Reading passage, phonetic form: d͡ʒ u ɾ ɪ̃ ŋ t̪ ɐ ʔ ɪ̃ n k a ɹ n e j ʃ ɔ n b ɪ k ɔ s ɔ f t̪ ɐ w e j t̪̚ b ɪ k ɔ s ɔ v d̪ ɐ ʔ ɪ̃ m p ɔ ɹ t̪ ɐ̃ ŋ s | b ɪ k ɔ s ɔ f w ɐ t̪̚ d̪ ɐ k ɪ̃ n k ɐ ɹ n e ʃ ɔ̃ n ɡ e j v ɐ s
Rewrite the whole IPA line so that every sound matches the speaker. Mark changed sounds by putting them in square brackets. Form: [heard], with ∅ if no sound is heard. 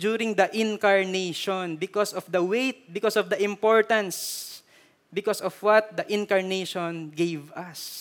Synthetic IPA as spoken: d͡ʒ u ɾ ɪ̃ ŋ [d̪] ɐ ʔ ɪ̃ n k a ɹ n e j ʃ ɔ n b ɪ k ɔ s ɔ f [d̪] ɐ w e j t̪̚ b ɪ k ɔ s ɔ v d̪ ɐ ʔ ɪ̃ m p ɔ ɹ t̪ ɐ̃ [n] s | b ɪ k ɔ s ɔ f w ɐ t̪̚ d̪ ɐ [ʔ] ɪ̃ n k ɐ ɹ n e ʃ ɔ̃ n ɡ e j v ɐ s